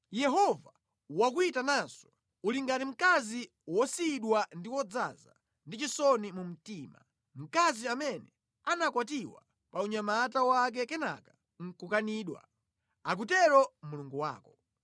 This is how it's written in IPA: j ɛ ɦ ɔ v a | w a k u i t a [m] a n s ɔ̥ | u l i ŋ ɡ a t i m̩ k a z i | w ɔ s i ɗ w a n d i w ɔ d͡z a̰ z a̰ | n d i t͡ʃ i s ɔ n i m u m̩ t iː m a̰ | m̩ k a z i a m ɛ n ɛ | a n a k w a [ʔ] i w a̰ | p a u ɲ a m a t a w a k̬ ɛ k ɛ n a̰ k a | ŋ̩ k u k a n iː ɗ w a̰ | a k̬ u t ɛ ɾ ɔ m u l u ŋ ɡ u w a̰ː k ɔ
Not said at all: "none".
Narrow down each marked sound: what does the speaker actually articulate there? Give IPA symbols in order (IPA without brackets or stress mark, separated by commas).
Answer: n, t